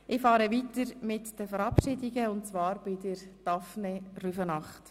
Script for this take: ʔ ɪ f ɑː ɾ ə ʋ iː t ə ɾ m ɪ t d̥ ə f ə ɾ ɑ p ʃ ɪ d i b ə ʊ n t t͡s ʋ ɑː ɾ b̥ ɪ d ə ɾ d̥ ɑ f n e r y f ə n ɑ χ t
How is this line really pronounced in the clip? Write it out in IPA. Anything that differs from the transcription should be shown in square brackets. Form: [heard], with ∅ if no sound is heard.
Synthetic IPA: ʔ ɪ f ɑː ɾ ə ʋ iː t ə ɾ m ɪ t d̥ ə f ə ɾ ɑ p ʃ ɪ d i [ɡ] ə ʊ n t t͡s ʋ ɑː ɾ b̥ ɪ d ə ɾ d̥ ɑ f n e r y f ə n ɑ χ t